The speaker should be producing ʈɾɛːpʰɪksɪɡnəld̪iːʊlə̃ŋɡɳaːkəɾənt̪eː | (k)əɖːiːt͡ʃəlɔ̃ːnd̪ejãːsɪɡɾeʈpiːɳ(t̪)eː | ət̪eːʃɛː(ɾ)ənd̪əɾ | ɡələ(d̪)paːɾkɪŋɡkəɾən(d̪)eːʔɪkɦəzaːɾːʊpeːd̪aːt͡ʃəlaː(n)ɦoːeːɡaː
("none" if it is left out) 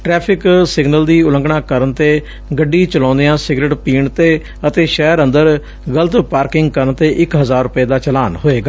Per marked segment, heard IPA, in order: ɡ, t̪, ɾ, t̪, t̪, n

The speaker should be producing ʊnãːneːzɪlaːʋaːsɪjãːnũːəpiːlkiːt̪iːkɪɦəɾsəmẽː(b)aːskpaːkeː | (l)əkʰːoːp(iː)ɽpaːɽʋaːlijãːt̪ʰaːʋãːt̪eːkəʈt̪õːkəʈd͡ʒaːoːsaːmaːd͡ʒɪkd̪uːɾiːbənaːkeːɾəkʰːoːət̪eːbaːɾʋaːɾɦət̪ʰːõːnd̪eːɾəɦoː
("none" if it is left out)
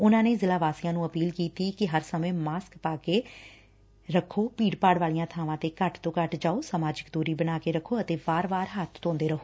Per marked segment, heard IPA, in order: m, ɾ, iː

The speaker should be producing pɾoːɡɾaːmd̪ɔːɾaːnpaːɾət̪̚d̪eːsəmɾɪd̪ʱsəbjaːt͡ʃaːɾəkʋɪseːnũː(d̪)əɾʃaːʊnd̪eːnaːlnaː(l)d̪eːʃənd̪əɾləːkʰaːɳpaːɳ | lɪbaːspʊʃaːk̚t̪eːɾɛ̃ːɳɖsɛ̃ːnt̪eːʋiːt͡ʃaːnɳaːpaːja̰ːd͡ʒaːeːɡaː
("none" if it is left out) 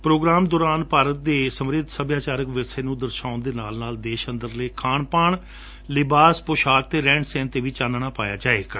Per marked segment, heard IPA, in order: d̪, l

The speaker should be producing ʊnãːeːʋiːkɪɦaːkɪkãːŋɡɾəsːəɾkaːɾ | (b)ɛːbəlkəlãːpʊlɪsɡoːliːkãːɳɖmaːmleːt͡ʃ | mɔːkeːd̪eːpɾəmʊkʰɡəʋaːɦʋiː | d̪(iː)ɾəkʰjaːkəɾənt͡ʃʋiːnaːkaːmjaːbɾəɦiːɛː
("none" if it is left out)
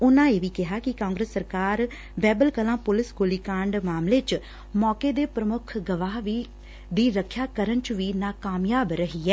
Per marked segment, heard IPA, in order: b, iː

